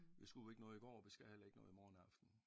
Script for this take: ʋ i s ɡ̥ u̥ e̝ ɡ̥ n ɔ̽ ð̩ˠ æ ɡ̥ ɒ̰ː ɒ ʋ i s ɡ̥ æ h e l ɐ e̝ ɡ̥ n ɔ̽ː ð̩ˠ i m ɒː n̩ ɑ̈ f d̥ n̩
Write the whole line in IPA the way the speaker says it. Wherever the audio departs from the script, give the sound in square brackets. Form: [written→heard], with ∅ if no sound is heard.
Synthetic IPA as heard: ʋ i s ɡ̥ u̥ e̝ ɡ̥ n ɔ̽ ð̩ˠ [æ→i] ɡ̥ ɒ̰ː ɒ ʋ i s ɡ̥ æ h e l ɐ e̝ ɡ̥ n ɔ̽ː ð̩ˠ i m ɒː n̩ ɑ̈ f d̥ n̩